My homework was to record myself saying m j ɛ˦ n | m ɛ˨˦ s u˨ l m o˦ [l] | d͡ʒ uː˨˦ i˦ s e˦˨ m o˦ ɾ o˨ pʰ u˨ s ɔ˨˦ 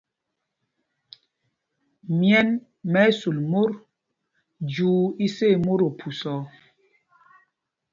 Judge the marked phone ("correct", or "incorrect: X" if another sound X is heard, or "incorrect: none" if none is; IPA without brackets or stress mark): incorrect: ɾ